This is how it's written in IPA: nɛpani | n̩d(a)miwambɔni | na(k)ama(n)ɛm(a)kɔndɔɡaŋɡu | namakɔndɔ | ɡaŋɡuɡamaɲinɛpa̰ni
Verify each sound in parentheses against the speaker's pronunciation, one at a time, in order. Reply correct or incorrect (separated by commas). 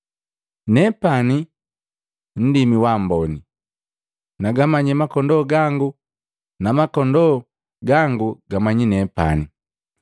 incorrect, incorrect, incorrect, correct